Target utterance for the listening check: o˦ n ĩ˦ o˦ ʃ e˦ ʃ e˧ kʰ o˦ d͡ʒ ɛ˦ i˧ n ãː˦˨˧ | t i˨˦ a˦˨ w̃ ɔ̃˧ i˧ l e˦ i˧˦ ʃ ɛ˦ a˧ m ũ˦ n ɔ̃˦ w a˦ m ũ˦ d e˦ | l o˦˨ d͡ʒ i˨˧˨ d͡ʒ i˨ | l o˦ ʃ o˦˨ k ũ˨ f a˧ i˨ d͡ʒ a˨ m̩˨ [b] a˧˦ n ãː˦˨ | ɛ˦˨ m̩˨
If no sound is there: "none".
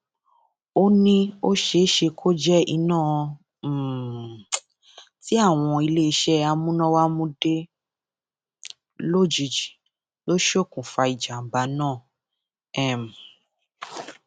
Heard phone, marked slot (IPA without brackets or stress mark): b